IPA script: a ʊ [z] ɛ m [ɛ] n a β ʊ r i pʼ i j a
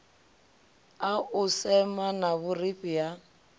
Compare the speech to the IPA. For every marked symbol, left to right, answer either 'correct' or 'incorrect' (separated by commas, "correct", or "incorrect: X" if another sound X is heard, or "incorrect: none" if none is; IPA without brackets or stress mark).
incorrect: s, incorrect: a